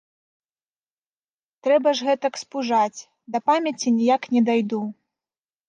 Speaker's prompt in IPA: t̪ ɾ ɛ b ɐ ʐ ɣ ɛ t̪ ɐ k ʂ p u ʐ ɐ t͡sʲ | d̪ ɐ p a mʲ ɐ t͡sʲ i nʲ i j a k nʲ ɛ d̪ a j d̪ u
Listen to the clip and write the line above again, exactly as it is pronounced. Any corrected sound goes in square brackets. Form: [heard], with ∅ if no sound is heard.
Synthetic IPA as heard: t̪ ɾ ɛ b ɐ ʐ ɣ ɛ t̪ ɐ k [s] p u ʐ [a] t͡sʲ | d̪ ɐ p a mʲ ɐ t͡sʲ i nʲ i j a k nʲ ɛ d̪ a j d̪ u